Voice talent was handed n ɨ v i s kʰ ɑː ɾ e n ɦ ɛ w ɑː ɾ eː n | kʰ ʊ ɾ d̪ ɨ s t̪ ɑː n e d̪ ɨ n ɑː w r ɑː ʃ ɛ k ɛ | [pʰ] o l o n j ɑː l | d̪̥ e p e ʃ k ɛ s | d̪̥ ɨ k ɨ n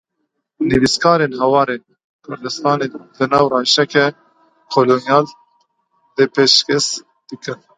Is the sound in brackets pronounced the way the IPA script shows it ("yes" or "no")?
no